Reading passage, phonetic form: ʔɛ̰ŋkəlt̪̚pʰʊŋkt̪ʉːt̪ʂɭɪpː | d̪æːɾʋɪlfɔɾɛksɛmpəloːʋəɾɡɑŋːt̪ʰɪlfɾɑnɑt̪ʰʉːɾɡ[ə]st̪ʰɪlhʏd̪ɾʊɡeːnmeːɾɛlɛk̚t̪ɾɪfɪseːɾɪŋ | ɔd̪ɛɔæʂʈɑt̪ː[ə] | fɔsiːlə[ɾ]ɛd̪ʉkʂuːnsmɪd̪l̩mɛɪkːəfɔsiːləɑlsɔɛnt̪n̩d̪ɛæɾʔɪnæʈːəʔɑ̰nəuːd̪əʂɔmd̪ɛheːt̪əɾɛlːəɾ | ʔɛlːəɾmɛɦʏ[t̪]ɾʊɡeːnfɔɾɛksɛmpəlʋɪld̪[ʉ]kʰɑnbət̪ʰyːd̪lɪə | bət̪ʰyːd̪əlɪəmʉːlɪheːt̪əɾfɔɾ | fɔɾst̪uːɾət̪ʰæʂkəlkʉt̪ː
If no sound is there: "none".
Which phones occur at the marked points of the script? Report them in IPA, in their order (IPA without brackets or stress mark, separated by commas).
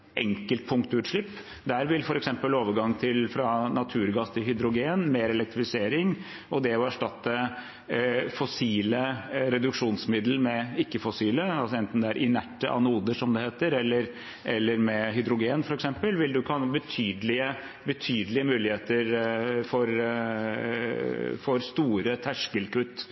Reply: ɑ, ə, ɾ, d̪, ʉ